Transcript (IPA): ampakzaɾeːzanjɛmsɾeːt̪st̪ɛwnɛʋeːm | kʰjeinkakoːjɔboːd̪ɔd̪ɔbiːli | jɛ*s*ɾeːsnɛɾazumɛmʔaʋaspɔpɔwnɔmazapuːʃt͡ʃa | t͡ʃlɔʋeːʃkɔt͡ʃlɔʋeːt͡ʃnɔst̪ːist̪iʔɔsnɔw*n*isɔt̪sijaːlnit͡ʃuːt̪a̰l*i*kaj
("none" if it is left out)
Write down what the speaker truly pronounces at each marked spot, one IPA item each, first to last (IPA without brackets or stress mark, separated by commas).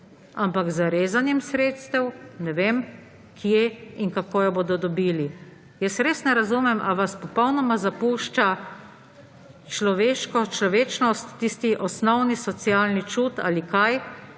s, n, i